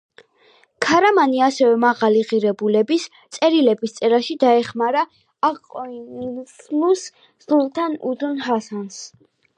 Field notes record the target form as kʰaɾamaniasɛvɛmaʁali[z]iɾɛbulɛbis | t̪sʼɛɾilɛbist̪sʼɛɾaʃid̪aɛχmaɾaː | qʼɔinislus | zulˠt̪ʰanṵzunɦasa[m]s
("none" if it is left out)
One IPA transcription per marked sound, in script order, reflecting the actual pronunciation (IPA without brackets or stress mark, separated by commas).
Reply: ʁ, n